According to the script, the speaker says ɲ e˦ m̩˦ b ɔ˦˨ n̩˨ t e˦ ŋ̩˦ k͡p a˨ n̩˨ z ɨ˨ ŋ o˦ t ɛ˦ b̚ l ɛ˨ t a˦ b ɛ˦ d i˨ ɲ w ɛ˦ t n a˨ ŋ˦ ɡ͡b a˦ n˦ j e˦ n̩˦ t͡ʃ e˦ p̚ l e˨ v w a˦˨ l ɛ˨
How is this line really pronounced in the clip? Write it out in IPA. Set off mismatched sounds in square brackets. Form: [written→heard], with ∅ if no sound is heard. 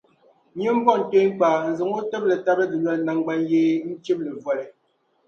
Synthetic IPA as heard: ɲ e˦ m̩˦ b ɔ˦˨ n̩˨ t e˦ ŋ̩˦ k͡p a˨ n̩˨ z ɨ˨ ŋ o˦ t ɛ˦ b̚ l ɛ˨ t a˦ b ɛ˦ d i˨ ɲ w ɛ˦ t n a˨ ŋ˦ ɡ͡b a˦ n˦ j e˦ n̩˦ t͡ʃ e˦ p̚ l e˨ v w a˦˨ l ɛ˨